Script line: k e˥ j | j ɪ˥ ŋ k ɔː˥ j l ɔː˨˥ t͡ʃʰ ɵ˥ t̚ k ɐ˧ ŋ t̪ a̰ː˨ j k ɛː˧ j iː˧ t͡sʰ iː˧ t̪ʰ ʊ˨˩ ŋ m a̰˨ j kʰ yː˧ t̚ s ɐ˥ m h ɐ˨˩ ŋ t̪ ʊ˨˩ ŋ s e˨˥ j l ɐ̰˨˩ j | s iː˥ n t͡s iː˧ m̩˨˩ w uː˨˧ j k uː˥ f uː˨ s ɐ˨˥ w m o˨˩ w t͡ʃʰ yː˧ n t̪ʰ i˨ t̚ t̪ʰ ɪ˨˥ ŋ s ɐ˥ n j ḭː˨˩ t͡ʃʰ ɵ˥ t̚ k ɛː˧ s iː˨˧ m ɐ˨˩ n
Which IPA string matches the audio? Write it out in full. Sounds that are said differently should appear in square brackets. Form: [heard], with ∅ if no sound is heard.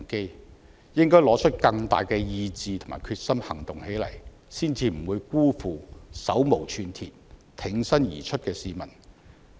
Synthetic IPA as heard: k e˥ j | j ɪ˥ ŋ k ɔː˥ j l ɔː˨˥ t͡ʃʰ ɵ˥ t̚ k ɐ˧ ŋ t̪ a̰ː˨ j k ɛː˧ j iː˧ [t͡s] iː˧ t̪ʰ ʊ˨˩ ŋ m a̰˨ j kʰ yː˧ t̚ s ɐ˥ m h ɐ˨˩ ŋ t̪ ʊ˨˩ ŋ [h] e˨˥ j l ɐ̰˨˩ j | s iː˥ n t͡s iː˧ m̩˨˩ w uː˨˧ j k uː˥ f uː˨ s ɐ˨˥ w m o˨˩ w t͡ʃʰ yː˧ n t̪ʰ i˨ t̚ t̪ʰ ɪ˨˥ ŋ s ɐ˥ n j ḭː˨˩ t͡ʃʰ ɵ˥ t̚ k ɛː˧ s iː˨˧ m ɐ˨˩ n